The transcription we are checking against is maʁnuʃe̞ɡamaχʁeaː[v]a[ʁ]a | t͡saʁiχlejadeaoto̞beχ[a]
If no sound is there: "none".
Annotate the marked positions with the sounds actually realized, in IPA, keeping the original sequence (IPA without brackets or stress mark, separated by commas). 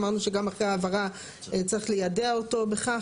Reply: v, ʁ, a